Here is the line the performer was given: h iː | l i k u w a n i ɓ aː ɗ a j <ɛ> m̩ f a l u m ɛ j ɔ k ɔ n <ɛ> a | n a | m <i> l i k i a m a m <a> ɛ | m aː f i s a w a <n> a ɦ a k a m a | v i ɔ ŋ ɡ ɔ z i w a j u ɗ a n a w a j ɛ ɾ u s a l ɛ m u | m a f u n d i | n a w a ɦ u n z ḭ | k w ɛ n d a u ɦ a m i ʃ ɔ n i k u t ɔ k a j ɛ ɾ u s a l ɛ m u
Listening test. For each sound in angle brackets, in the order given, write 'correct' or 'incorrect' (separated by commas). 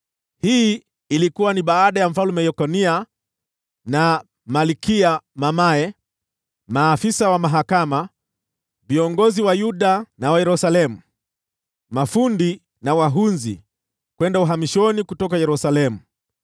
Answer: incorrect, incorrect, incorrect, correct, incorrect